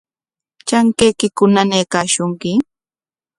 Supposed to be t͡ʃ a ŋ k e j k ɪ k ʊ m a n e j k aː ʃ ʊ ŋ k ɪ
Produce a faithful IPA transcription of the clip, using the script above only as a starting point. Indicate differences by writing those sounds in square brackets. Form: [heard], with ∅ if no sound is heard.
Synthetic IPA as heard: t͡ʃ a ŋ k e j k ɪ k ʊ [n] a n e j k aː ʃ ʊ ŋ k ɪ